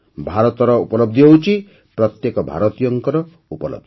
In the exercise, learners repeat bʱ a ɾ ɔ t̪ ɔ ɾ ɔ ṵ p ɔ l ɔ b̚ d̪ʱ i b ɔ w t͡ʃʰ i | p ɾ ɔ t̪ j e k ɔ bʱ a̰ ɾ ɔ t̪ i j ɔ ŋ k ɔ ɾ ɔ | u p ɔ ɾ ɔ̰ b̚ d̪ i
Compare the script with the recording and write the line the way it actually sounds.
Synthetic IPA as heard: bʱ a ɾ ɔ t̪ ɔ ɾ ɔ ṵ p ɔ l ɔ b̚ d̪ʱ i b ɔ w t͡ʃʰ i | p ɾ ɔ t̪ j e k ɔ bʱ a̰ ɾ ɔ t̪ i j ɔ ŋ k ɔ ɾ ɔ | u p ɔ l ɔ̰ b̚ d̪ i